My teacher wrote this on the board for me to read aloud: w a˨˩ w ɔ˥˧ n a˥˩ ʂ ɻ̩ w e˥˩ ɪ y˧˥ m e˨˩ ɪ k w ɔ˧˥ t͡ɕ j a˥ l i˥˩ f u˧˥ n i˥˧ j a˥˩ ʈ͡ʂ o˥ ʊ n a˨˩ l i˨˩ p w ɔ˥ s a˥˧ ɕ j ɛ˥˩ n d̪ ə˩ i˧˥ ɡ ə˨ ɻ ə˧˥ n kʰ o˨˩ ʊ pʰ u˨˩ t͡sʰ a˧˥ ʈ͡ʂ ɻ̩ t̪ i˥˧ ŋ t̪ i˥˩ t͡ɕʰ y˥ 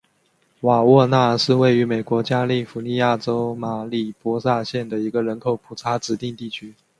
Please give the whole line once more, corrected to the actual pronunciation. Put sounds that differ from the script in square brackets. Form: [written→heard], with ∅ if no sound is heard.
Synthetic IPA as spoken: w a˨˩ w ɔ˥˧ n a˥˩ ʂ ɻ̩ w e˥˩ ɪ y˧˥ m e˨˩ ɪ k w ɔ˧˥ t͡ɕ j a˥ l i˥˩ f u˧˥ n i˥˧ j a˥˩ ʈ͡ʂ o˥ ʊ [n→m] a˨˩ l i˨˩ p w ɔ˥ s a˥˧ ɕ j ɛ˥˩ n d̪ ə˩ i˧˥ ɡ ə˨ ɻ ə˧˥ n kʰ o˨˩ ʊ pʰ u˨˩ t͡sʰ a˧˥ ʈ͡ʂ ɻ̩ t̪ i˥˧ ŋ t̪ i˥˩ t͡ɕʰ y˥